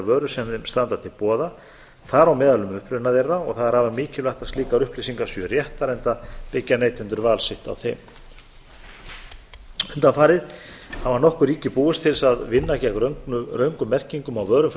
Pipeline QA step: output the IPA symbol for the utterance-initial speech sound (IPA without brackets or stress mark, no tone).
v